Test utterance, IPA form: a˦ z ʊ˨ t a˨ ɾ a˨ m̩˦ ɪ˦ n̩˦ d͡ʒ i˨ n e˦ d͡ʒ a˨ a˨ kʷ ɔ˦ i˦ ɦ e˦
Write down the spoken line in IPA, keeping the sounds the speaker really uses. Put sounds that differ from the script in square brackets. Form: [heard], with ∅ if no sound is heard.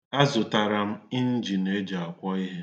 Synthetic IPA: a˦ z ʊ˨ t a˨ ɾ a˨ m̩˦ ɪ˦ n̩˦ d͡ʒ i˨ n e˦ d͡ʒ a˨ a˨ kʷ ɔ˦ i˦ ɦ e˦